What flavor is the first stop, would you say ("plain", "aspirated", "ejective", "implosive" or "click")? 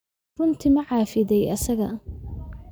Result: aspirated